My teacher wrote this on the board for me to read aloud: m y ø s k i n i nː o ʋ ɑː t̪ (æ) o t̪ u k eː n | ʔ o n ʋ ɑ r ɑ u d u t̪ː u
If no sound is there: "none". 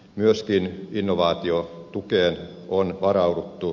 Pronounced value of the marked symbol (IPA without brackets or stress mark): i